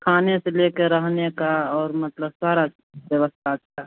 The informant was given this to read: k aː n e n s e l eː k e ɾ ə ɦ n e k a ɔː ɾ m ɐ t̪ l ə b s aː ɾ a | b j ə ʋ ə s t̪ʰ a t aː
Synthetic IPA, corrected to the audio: kʰ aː n e s e l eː k e ɾ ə ɦ n e k a ɔː ɾ m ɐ t̪ l ə b s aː ɾ a | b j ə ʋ ə s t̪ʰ a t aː